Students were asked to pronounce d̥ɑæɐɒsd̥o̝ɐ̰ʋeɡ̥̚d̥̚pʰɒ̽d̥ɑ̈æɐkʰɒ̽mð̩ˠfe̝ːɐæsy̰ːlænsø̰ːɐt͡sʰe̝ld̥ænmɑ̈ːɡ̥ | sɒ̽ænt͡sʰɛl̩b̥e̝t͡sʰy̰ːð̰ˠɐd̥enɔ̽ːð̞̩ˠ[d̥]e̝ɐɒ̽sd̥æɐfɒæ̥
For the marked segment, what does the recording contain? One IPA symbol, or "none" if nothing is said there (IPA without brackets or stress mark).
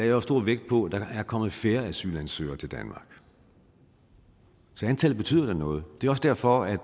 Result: d̥